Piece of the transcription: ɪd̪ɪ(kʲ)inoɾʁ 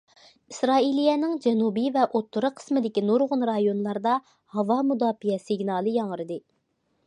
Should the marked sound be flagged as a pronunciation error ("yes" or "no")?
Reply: no